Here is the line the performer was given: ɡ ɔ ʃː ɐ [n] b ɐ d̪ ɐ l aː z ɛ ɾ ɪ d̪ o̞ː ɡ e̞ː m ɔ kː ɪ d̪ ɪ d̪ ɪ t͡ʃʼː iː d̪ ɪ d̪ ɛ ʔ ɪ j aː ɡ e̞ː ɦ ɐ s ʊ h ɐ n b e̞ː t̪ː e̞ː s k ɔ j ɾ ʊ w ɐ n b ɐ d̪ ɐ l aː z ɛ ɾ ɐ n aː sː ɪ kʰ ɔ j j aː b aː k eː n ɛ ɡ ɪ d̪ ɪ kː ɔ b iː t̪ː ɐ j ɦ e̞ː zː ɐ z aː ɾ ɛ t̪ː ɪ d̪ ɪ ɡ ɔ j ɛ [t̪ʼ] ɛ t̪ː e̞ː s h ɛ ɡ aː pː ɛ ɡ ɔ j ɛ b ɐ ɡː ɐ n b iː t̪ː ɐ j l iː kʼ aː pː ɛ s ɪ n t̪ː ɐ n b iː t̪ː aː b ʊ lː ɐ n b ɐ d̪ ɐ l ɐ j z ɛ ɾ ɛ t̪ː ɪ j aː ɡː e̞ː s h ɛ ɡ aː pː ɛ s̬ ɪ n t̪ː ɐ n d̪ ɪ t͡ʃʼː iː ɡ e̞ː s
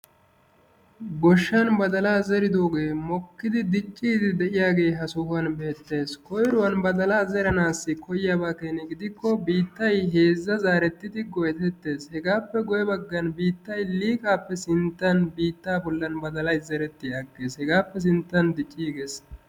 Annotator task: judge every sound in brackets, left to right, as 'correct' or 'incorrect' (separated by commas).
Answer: correct, incorrect